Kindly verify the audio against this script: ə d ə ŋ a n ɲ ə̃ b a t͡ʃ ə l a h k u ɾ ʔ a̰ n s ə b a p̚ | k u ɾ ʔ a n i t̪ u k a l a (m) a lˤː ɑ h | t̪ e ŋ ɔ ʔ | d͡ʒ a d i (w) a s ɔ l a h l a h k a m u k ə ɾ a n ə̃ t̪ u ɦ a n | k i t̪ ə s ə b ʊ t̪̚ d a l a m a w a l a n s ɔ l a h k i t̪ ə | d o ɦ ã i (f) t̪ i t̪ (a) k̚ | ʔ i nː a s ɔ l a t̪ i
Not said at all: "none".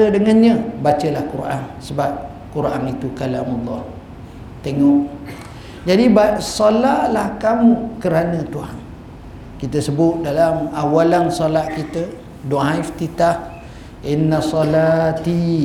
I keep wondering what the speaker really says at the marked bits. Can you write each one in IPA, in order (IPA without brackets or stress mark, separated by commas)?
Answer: m, b, f, a